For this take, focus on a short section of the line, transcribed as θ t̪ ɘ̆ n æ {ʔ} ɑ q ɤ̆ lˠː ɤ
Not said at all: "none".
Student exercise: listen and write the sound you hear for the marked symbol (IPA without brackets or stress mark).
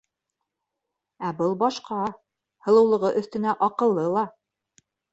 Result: ʔ